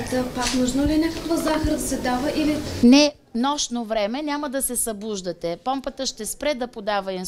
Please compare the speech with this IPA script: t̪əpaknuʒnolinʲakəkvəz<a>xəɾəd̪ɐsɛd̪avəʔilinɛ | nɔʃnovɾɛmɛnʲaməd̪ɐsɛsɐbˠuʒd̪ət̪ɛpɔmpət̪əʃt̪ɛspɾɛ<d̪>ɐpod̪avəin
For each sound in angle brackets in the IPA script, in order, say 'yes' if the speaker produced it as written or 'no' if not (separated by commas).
yes, yes